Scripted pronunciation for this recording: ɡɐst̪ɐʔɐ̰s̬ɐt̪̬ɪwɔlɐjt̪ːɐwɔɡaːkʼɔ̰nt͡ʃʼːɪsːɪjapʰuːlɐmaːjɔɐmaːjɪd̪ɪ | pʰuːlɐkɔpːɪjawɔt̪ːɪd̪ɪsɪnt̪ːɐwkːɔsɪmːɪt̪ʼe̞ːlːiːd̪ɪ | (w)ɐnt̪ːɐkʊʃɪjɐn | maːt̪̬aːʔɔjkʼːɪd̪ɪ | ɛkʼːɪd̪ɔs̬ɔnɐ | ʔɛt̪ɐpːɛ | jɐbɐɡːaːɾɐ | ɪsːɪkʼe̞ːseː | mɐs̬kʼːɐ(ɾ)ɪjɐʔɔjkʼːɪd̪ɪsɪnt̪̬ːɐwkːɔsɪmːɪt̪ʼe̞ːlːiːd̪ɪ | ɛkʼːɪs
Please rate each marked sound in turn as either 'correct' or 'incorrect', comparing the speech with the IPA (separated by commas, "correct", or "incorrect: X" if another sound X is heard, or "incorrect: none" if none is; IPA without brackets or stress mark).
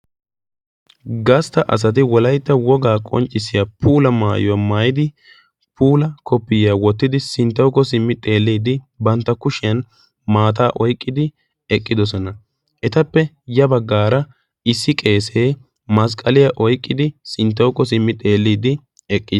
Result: incorrect: b, incorrect: l